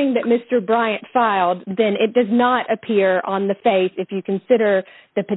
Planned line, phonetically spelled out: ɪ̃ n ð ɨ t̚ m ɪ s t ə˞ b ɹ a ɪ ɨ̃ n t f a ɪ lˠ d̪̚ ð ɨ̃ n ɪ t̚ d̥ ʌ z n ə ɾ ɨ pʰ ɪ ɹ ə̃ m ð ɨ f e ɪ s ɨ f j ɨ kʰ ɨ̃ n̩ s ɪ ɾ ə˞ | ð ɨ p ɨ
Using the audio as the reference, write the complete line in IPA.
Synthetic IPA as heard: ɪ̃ ŋ ð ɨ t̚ m ɪ s t ə˞ b ɹ a ɪ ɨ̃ n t f a ɪ lˠ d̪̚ ð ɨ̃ n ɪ t̚ d̥ ʌ z n ə ɾ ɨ pʰ ɪ ɹ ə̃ n ð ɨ f e ɪ s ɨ f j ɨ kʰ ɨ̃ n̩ s ɪ ɾ ə˞ | ð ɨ p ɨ